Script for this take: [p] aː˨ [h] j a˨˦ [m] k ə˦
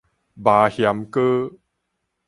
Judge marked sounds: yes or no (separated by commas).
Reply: no, yes, yes